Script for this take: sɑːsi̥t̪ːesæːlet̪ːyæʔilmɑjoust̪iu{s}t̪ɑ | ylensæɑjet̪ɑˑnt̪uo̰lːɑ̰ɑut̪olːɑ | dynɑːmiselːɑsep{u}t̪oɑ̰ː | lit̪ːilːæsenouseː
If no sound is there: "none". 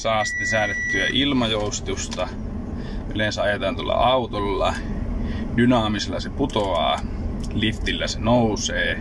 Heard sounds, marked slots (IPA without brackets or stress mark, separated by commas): s, u